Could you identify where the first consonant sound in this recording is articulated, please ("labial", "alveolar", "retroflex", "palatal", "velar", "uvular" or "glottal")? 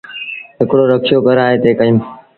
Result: glottal